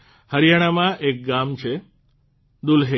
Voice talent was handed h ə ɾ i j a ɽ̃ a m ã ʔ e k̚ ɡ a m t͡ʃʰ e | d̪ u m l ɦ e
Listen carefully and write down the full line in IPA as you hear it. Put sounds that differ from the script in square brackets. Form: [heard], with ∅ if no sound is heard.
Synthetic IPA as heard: h ə ɾ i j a ɽ̃ a m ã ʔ e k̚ ɡ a m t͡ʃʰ e | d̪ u [∅] l ɦ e